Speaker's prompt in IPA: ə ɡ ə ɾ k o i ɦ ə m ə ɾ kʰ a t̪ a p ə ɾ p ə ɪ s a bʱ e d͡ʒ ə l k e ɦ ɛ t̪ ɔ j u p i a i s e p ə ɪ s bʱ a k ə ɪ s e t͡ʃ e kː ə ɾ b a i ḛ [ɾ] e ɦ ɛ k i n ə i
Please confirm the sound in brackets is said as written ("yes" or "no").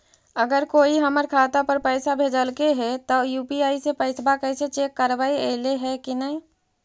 no